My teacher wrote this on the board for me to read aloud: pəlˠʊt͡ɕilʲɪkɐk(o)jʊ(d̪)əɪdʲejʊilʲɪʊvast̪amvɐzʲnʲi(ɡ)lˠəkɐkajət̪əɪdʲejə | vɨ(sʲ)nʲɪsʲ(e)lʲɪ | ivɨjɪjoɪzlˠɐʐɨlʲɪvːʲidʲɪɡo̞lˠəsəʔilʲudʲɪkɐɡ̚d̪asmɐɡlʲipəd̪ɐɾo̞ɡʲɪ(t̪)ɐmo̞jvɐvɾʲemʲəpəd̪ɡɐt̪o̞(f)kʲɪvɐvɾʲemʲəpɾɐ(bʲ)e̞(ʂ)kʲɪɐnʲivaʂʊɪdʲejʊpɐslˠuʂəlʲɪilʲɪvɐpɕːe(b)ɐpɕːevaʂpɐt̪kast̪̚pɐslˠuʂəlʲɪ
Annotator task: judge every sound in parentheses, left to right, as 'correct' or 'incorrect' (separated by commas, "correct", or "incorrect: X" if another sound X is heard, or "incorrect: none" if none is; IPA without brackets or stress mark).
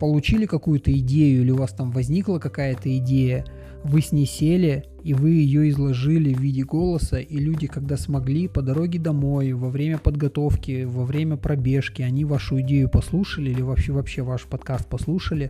incorrect: u, incorrect: t̪, incorrect: k, correct, correct, incorrect: d̪, correct, correct, correct, incorrect: v